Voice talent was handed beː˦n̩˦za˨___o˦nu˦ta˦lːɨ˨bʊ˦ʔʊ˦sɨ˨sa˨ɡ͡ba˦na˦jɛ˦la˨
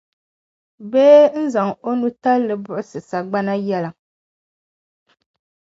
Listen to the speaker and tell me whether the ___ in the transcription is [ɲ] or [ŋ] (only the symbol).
ŋ